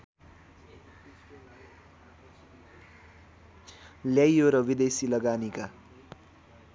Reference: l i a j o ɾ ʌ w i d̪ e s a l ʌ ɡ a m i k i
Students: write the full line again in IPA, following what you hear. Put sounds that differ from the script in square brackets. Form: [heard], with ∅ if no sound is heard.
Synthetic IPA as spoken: l [j] a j o ɾ ʌ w i d̪ e s [i] l ʌ ɡ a [n] i k [a]